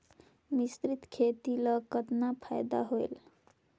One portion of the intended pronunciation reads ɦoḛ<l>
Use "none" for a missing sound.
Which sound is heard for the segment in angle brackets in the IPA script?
l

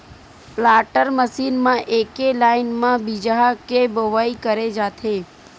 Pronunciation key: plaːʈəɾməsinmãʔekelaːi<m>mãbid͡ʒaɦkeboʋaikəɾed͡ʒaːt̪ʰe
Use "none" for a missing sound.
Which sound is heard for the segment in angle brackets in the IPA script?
n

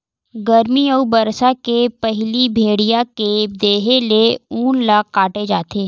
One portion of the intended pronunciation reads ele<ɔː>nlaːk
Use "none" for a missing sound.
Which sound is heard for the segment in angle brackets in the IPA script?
uː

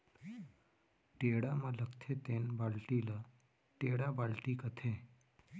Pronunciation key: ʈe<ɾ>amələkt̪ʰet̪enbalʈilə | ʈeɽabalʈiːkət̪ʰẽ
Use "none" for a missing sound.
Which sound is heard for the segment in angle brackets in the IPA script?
ɽ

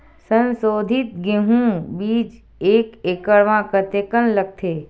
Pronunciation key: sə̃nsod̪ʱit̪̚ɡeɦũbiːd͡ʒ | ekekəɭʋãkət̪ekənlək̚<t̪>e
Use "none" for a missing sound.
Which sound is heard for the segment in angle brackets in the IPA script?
t̪ʰ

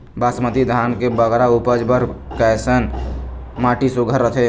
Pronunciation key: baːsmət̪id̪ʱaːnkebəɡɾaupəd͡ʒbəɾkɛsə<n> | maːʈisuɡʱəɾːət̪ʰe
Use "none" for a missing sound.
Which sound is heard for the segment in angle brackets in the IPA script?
n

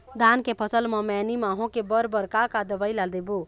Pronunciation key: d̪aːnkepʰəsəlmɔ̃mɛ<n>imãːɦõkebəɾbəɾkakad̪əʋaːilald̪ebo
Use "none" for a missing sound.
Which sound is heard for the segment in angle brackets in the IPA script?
n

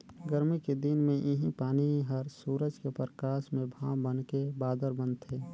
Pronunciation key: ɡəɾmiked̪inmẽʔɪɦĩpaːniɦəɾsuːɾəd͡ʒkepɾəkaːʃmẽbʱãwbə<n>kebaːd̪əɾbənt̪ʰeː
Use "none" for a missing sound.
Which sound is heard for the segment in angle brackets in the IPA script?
n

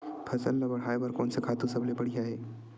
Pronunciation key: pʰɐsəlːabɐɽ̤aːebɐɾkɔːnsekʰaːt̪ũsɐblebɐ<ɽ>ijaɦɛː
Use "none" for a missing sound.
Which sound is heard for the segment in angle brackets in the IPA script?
ɽ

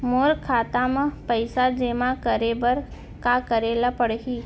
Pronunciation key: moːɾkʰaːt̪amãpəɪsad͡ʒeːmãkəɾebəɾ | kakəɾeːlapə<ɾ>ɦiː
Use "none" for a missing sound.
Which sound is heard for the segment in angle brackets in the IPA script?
ɽ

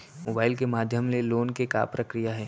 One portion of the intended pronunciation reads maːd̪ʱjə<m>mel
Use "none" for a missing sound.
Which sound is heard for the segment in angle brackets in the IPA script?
m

